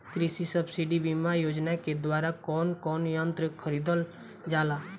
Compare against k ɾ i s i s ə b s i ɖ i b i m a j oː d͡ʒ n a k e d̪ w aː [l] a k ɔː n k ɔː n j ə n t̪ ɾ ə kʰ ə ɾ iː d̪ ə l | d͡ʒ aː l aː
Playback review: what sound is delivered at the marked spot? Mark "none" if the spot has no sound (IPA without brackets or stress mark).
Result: ɾ